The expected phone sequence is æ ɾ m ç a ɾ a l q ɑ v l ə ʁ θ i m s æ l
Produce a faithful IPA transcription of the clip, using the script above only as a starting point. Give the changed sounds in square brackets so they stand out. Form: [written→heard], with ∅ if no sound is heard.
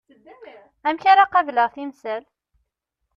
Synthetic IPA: æ [ɾ→∅] m ç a ɾ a [l→∅] q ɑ v l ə ʁ θ i m s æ l